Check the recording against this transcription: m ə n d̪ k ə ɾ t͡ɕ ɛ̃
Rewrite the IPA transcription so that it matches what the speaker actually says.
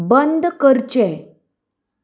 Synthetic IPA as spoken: b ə n d̪ k ə ɾ t͡ɕ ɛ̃